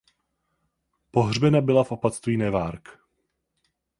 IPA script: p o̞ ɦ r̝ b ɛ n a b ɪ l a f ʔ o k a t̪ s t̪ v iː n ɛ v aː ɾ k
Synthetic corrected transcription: p o̞ ɦ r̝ b ɛ n a b ɪ l a f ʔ o p a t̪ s t̪ v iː n ɛ v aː ɾ k